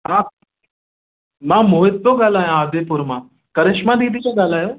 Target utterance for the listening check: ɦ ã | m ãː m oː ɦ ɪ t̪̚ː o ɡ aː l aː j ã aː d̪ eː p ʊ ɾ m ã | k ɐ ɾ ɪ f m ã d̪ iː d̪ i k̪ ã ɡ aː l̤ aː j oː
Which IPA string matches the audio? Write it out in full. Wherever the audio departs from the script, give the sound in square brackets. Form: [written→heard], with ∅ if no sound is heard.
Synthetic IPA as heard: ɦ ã | m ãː m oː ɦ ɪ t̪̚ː o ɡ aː l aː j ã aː d̪ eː p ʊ ɾ m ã | k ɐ ɾ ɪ [f→ʃ] m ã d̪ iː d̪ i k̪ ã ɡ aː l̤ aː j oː